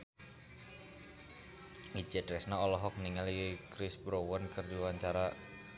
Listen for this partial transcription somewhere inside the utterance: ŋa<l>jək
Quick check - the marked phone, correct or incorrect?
correct